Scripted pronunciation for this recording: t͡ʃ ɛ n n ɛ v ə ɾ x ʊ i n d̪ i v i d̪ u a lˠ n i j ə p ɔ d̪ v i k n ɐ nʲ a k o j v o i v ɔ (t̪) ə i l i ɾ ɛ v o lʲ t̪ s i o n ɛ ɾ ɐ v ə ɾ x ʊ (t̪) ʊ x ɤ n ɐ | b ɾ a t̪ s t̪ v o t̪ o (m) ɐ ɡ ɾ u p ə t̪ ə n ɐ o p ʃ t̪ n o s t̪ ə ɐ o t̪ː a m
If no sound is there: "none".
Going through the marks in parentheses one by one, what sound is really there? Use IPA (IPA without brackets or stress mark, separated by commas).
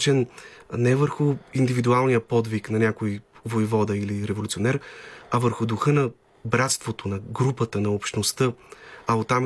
d̪, d̪, n